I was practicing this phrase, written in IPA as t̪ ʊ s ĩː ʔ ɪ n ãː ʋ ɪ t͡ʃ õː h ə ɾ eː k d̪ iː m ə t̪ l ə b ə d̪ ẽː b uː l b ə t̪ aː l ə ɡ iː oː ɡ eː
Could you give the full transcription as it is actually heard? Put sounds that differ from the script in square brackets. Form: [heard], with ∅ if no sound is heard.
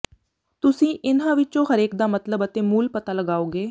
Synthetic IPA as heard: t̪ ʊ s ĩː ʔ ɪ n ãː ʋ ɪ t͡ʃ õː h ə ɾ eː k d̪ [aː] m ə t̪ l ə b ə [t̪] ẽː [m] uː l [p] ə t̪ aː l ə ɡ [aː] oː ɡ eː